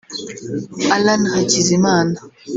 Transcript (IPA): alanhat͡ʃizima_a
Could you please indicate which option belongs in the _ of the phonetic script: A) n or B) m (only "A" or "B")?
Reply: A